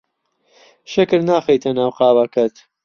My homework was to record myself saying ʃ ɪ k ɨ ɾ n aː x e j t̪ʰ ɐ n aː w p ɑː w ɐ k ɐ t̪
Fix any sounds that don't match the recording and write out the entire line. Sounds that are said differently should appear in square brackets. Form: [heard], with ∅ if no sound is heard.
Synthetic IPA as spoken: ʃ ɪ k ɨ ɾ n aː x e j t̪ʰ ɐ n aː w [q] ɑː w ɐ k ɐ t̪